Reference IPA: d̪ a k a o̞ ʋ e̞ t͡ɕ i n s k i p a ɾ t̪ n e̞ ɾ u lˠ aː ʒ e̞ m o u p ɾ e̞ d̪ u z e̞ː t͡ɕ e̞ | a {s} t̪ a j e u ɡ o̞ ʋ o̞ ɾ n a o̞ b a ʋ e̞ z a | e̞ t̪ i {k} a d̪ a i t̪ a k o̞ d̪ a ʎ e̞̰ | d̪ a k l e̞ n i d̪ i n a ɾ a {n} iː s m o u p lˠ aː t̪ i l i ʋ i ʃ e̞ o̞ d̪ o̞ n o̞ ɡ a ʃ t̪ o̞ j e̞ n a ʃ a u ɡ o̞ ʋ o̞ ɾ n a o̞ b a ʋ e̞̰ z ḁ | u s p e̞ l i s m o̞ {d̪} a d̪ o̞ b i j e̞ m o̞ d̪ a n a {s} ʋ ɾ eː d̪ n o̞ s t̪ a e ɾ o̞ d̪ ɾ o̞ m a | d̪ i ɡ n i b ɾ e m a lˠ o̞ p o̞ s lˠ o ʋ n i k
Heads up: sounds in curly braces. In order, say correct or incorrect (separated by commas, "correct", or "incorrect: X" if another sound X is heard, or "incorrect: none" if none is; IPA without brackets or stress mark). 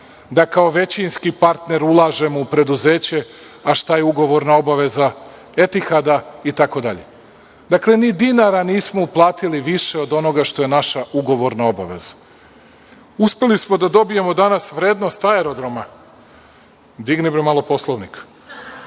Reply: incorrect: ʃ, incorrect: x, correct, correct, correct